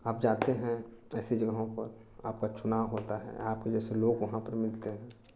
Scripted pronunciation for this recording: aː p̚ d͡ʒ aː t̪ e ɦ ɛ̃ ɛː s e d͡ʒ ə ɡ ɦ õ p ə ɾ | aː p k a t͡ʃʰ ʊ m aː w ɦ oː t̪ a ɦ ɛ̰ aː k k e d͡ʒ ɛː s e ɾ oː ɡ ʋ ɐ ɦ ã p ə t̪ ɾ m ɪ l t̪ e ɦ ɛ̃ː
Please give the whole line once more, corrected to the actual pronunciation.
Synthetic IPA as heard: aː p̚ d͡ʒ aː t̪ e ɦ ɛ̃ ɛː s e d͡ʒ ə ɡ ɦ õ p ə ɾ | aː p k a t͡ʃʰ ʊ n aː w ɦ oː t̪ a ɦ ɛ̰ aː p k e d͡ʒ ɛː s e l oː ɡ ʋ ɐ ɦ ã p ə ɾ m ɪ l t̪ e ɦ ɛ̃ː